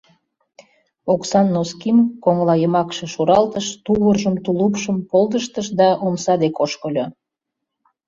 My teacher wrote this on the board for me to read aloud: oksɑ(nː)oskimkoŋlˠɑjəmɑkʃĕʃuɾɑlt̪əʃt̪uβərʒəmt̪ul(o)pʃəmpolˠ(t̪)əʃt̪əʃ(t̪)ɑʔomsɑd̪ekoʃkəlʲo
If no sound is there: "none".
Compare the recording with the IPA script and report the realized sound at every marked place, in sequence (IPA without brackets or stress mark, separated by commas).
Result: nː, u, d̪, d̪